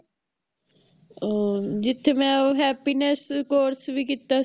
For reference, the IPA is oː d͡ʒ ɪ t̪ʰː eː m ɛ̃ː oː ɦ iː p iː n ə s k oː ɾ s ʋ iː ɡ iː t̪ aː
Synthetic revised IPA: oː d͡ʒ ɪ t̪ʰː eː m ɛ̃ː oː ɦ ɛː p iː n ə s k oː ɾ s ʋ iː k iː t̪ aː